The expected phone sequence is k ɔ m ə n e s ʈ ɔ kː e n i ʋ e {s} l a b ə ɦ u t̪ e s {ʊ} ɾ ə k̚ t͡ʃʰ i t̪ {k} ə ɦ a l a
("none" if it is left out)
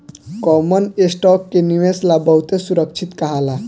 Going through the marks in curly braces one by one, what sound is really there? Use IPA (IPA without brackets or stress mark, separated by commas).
s, u, k